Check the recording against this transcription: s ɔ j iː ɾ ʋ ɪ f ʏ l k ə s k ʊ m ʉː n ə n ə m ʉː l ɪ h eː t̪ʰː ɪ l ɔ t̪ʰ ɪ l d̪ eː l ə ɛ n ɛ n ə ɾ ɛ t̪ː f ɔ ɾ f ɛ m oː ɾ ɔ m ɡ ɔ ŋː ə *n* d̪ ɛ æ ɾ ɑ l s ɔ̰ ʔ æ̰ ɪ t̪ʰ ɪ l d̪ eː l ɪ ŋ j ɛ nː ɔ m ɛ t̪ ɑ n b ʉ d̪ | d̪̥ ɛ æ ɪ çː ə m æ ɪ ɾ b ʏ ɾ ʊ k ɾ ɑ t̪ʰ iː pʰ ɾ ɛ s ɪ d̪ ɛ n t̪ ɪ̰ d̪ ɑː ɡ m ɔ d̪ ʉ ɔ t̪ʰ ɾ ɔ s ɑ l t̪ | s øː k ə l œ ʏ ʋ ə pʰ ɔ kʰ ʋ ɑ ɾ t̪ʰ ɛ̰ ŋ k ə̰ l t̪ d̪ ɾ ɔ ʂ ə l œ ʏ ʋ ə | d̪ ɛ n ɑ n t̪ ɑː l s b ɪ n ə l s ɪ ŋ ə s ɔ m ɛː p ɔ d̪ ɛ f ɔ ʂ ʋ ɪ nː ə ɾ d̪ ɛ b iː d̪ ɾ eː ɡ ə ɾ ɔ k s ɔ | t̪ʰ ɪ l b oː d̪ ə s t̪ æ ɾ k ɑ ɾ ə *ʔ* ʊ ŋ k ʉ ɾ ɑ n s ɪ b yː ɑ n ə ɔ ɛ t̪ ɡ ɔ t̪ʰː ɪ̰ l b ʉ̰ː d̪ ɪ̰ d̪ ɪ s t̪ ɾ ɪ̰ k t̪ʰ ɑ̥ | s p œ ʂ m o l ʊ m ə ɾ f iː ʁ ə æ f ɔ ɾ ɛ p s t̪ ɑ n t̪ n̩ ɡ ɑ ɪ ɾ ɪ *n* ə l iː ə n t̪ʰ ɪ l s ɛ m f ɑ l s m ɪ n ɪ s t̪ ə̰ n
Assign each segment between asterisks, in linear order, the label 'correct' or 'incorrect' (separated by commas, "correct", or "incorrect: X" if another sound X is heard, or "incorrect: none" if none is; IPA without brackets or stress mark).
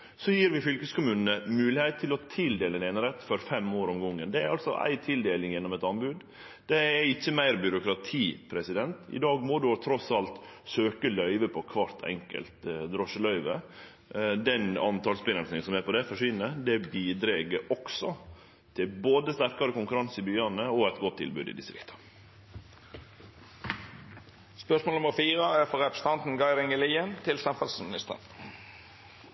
correct, incorrect: k, incorrect: ŋ